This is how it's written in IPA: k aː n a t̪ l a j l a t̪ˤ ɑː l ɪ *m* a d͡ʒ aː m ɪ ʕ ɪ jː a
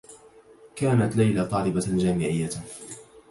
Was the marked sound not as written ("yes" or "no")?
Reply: yes